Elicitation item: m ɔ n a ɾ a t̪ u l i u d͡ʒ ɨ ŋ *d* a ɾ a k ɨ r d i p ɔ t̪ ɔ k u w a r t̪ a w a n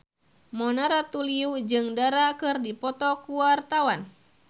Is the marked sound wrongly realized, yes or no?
no